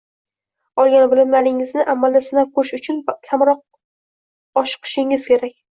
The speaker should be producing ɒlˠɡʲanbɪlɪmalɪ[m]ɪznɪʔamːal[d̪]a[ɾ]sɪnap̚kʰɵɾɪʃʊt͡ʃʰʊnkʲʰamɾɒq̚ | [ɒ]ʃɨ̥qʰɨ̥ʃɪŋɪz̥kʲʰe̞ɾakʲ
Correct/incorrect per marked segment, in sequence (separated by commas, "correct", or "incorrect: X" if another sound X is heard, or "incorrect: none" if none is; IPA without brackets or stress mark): incorrect: ŋ, correct, incorrect: none, correct